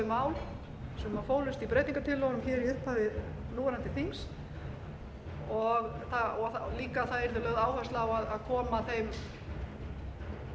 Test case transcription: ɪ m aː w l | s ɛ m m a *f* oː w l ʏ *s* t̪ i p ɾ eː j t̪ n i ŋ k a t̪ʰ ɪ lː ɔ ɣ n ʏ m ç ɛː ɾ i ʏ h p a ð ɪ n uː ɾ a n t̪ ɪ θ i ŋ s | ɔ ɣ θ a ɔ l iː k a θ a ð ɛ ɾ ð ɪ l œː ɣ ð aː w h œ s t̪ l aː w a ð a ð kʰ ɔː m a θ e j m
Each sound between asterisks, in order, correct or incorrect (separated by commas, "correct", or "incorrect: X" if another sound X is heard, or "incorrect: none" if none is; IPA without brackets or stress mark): correct, correct